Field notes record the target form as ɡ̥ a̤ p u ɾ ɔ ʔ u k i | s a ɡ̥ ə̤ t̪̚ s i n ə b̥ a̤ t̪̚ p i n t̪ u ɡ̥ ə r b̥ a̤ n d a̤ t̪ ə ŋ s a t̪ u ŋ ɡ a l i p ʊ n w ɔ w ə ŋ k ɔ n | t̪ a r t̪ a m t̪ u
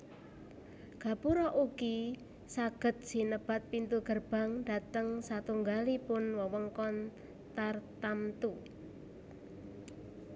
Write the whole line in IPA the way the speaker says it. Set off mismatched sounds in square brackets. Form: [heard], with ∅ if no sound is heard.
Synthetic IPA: ɡ̥ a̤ p u ɾ ɔ ʔ u k i | s a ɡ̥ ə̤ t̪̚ s i n ə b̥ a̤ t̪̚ p i n t̪ u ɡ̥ ə r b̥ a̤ [ŋ] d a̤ t̪ ə ŋ s a t̪ u ŋ ɡ a l i p ʊ n w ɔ w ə ŋ k ɔ n | t̪ a r t̪ a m t̪ u

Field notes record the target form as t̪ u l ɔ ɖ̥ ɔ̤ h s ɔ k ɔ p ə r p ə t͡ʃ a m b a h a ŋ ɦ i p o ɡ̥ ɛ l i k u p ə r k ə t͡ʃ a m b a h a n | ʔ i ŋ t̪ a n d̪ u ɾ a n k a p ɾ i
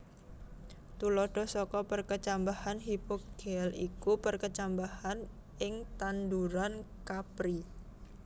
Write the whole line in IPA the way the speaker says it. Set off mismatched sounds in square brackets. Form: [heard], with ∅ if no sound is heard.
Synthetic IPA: t̪ u l ɔ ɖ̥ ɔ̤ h s ɔ k ɔ p ə r [k] ə t͡ʃ a m b a h a [n] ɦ i p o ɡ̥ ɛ l i k u p ə r k ə t͡ʃ a m b a h a n | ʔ [ɪ] ŋ t̪ a n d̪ u ɾ a n k a p ɾ i

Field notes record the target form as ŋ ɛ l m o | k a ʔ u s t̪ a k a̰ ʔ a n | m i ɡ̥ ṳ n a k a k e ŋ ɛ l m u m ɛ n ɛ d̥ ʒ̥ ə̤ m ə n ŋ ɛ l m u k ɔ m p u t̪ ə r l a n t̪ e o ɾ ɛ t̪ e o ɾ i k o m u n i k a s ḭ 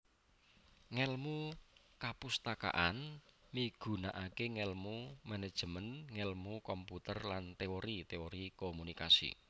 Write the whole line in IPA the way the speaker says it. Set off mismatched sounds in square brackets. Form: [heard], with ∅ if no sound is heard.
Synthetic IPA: ŋ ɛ l m [u] | k a [p] u s t̪ a k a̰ ʔ a n | m i ɡ̥ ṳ n a [ʔ] a k e ŋ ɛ l m u m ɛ n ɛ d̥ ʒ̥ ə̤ m ə n ŋ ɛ l m u k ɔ m p u t̪ ə r l a n t̪ e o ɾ [i] t̪ e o ɾ i k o m u n i k a s ḭ

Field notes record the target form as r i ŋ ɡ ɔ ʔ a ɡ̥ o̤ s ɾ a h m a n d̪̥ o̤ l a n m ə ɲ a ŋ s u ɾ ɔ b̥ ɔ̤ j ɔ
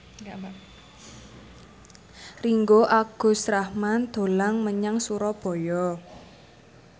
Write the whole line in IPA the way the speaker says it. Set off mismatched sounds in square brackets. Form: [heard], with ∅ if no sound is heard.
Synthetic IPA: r i ŋ ɡ [o] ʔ a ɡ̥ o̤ s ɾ a h m a n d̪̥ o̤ l a [ŋ] m ə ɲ a ŋ s u ɾ ɔ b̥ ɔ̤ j ɔ

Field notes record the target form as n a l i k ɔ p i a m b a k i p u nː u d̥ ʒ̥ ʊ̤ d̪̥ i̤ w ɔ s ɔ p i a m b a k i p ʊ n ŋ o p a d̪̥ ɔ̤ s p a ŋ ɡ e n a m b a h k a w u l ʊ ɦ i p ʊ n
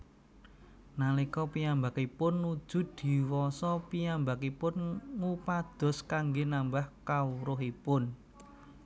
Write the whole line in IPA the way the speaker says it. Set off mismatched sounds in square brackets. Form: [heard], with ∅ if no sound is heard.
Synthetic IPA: n a l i k ɔ p i a m b a k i p [ʊ] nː u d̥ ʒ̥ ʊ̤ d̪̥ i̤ w ɔ s ɔ p i a m b a k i p ʊ n ŋ [u] p a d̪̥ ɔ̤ s [k] a ŋ ɡ e n a m b a h k a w u [ɾ] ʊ ɦ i p ʊ n

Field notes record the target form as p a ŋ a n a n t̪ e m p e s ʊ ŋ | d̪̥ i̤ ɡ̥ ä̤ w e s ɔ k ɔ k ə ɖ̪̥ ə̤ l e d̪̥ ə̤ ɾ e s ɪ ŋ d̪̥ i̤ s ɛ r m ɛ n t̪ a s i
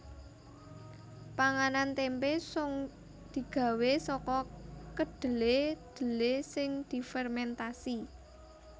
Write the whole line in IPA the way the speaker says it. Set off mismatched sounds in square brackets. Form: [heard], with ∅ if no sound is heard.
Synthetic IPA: p a ŋ a n a n t̪ e m p e s ʊ ŋ | d̪̥ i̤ ɡ̥ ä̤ w e s ɔ k ɔ k ə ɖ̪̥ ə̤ l e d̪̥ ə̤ [l] e s ɪ ŋ d̪̥ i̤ [f] ɛ r m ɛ n t̪ a s i

